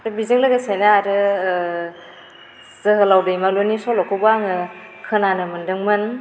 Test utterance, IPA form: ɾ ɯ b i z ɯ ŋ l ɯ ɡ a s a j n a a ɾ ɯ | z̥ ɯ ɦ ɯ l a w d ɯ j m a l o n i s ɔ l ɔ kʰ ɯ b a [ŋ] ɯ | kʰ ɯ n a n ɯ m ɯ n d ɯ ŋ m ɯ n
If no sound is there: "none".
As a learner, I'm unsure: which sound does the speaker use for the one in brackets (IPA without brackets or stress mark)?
ŋ